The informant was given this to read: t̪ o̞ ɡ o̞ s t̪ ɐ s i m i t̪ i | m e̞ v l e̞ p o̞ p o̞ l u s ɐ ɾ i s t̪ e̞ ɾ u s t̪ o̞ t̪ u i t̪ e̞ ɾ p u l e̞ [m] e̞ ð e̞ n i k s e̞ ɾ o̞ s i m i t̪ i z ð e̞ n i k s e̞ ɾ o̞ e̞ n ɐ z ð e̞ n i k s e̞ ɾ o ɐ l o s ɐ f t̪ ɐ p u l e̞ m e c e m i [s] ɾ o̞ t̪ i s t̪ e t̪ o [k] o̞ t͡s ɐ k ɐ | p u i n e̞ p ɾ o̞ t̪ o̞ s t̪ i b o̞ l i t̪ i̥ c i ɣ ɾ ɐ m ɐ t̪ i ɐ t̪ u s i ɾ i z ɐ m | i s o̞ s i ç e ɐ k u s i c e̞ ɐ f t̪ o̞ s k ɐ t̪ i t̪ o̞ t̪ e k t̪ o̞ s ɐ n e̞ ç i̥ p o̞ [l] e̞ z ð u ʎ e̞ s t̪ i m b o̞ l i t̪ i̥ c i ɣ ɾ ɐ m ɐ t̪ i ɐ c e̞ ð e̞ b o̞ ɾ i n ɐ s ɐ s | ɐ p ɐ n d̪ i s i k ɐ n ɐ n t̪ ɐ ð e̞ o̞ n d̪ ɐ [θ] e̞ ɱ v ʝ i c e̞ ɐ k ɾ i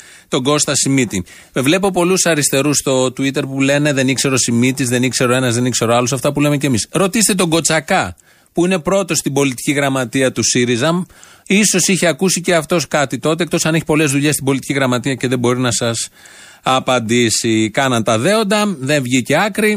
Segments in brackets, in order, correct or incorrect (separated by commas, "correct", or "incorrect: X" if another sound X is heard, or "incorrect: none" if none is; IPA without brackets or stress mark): incorrect: n, correct, incorrect: ɡ, correct, incorrect: ð